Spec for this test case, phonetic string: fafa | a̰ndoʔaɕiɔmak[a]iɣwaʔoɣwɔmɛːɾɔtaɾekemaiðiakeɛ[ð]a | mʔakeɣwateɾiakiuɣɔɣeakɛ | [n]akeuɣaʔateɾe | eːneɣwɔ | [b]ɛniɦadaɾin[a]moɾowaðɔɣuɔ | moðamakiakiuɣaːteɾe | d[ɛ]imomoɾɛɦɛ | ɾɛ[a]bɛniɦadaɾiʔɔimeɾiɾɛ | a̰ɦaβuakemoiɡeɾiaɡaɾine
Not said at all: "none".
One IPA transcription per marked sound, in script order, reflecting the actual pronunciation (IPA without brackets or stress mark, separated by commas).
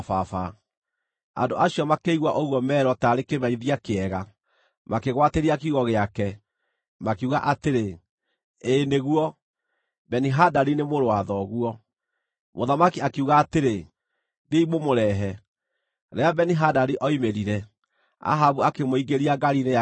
e, ɣ, m, b, e, e, a